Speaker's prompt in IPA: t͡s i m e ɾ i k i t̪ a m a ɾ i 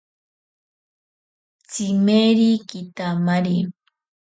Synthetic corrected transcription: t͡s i m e ɾ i k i t̪ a m a ɾ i